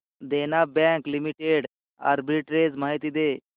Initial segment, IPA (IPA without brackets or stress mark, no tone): d̪